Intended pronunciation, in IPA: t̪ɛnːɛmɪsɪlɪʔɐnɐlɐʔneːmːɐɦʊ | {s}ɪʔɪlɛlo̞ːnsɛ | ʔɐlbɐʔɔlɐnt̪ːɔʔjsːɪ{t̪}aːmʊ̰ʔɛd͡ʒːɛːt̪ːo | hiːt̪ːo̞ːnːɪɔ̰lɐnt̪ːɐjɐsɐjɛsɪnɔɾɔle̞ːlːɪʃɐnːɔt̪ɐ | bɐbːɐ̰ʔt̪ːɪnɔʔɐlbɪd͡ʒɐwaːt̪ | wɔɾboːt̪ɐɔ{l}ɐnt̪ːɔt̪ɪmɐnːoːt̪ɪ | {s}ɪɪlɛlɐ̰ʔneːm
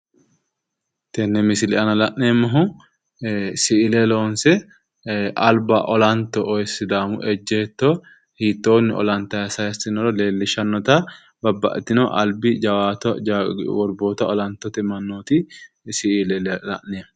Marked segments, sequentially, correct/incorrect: correct, incorrect: d̪, correct, correct

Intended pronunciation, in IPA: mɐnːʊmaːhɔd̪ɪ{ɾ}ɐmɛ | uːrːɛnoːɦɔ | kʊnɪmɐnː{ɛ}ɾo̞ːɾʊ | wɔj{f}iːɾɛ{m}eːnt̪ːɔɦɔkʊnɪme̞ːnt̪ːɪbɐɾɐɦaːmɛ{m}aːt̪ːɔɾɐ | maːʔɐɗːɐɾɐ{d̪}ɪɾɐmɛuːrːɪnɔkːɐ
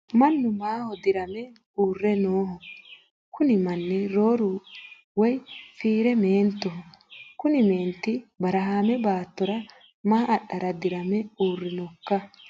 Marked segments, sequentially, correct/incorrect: correct, correct, correct, correct, incorrect: b, correct

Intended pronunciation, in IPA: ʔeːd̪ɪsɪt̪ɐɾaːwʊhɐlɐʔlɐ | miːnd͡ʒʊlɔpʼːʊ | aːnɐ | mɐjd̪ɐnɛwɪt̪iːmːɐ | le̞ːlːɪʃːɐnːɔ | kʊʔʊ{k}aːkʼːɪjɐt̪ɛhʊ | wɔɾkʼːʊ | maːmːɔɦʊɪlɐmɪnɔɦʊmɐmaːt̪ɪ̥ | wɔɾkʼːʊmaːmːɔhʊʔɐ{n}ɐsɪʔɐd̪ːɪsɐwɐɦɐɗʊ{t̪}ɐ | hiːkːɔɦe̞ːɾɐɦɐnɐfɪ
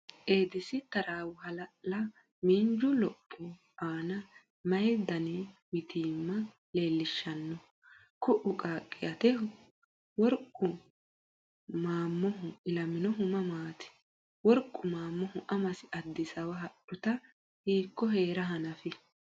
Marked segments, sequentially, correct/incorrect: incorrect: kʼ, incorrect: m, correct

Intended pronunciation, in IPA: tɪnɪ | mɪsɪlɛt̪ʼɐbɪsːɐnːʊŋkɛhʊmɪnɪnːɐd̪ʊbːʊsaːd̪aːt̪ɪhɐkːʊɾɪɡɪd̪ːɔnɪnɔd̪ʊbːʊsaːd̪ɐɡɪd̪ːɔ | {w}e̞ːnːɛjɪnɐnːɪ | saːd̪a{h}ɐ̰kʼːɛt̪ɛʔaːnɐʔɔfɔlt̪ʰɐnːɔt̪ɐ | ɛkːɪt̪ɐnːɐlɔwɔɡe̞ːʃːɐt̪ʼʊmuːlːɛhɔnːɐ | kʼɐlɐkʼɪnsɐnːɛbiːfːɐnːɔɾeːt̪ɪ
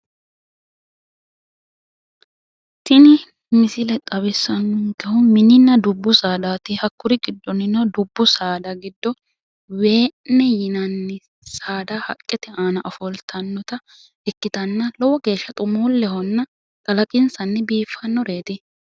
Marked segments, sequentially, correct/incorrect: correct, correct

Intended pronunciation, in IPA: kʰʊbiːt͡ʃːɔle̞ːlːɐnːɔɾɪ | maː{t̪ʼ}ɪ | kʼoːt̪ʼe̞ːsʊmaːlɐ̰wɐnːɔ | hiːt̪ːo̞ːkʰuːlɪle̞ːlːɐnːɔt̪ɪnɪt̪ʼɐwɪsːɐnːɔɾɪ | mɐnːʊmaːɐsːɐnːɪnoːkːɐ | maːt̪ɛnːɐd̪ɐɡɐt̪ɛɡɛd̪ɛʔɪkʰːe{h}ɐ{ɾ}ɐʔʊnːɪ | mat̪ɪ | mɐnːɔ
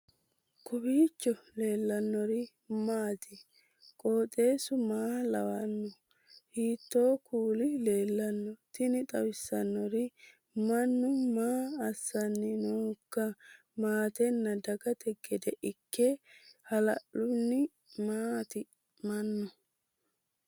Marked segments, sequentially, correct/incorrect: incorrect: t̪, correct, incorrect: l

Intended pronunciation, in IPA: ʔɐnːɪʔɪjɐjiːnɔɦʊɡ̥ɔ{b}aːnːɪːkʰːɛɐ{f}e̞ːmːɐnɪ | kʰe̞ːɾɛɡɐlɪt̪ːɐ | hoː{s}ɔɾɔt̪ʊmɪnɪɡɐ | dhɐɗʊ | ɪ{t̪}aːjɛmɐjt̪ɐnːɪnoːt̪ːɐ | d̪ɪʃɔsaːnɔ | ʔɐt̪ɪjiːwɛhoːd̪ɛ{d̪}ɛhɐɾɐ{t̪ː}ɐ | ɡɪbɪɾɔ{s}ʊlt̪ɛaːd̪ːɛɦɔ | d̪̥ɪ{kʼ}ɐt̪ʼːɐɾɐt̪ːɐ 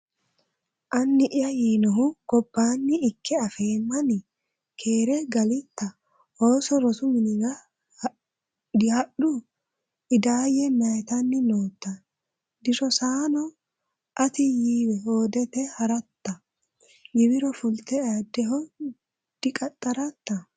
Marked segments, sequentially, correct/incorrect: incorrect: bː, correct, correct, incorrect: d̪, incorrect: t̪, correct, incorrect: f, correct

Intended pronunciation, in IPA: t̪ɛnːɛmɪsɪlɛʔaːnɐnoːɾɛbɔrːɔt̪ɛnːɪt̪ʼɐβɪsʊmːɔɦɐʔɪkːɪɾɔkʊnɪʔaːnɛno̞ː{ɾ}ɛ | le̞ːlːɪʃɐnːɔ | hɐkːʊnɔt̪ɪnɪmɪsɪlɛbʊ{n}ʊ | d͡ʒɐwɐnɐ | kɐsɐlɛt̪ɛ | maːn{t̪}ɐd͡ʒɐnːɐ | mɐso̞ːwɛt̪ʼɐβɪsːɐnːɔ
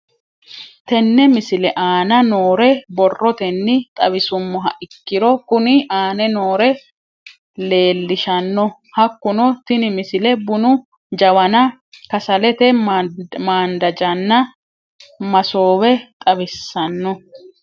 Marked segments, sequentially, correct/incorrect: correct, correct, incorrect: d̪

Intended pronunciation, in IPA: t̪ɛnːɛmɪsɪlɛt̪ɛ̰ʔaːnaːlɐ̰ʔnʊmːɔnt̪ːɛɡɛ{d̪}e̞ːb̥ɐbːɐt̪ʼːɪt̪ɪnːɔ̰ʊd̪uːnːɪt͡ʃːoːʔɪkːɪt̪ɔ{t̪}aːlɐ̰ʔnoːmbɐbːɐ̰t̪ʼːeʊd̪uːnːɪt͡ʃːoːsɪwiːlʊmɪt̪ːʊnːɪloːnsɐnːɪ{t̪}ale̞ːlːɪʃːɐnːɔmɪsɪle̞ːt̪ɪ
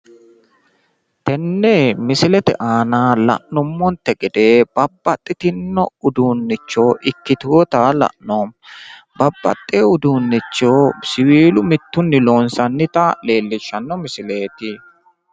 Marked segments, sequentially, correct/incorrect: correct, correct, correct

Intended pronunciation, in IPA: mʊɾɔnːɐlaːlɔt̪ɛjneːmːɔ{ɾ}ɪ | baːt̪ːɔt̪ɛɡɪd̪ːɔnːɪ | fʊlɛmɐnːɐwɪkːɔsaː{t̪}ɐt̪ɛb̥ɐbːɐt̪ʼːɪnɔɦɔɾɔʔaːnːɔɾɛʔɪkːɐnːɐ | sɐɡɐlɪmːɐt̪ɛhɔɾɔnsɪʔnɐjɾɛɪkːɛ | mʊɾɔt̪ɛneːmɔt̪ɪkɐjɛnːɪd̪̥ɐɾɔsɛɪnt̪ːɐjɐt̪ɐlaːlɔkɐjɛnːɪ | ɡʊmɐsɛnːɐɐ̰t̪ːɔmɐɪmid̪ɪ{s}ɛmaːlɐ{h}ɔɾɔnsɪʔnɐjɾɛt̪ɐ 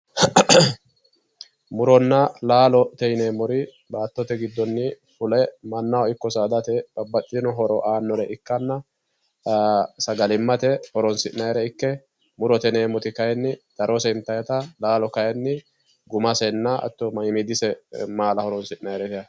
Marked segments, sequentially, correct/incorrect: correct, incorrect: d̪, correct, correct

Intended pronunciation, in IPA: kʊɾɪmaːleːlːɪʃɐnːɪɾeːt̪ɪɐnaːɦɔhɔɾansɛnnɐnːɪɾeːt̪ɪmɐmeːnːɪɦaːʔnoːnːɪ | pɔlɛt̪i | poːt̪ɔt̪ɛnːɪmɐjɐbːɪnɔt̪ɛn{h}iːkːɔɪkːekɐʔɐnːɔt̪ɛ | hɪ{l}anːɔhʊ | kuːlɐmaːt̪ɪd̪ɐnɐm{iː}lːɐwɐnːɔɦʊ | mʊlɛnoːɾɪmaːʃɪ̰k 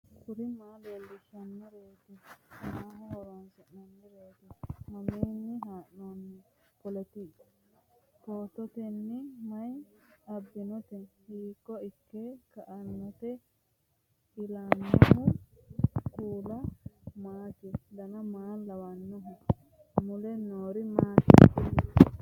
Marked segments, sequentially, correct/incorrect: correct, correct, incorrect: aː

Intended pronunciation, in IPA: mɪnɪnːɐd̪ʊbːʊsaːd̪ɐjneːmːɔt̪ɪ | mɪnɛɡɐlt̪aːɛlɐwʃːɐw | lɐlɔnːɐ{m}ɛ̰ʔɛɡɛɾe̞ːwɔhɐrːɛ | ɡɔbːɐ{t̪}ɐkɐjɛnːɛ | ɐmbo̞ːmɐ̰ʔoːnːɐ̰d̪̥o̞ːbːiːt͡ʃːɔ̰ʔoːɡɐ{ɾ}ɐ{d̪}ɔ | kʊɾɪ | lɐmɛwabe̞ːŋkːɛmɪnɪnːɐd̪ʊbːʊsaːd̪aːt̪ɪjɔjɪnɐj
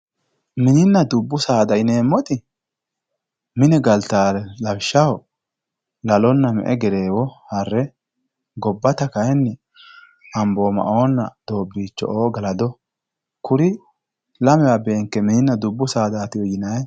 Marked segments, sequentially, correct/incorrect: correct, correct, incorrect: l, correct

